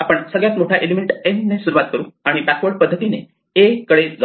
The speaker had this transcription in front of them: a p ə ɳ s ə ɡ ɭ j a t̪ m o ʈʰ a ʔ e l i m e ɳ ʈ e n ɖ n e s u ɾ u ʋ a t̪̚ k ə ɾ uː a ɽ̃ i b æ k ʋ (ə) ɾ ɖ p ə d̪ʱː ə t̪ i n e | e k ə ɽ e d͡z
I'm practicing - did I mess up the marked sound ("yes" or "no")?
no